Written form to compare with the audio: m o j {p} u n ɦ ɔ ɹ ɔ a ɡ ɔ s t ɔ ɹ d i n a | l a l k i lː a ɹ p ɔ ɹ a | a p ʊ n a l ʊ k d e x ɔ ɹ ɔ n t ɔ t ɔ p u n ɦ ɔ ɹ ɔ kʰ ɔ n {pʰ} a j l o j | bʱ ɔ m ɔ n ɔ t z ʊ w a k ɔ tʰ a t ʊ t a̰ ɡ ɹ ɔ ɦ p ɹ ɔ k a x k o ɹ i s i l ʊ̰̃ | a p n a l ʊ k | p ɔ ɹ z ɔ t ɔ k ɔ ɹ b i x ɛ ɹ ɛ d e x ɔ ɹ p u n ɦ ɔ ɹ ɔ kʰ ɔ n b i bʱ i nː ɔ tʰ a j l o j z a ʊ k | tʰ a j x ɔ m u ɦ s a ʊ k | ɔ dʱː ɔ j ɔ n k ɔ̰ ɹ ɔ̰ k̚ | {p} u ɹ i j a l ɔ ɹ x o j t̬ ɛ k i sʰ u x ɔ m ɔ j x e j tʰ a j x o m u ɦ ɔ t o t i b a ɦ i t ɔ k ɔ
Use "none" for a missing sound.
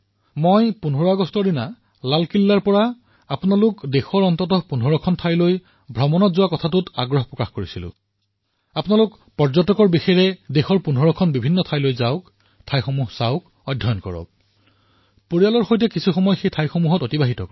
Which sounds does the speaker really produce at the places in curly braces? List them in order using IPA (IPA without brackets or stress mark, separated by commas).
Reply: p, tʰ, p